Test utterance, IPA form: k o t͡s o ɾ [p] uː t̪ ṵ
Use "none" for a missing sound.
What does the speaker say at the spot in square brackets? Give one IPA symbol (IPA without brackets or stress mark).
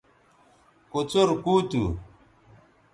k